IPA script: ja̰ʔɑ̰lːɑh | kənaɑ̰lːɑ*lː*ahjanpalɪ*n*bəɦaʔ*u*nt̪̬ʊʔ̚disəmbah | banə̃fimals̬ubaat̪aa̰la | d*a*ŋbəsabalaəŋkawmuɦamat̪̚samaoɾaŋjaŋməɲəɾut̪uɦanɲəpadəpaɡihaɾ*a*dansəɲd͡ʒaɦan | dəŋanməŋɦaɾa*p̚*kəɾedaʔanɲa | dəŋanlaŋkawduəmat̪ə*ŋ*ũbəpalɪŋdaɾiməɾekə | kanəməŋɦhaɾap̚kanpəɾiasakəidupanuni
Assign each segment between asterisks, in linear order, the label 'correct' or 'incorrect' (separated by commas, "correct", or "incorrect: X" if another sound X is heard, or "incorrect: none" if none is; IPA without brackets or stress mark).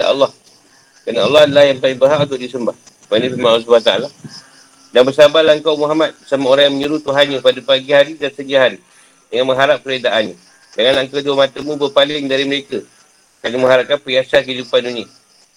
incorrect: l, incorrect: ŋ, correct, correct, incorrect: i, correct, incorrect: m